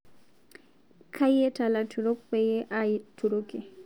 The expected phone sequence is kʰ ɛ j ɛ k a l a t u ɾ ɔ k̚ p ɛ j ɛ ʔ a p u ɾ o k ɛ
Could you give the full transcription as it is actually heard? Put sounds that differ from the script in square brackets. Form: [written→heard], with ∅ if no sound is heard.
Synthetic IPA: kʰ [ɛ→a] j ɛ [k→t] a l a t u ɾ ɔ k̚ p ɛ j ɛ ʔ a [p→t] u ɾ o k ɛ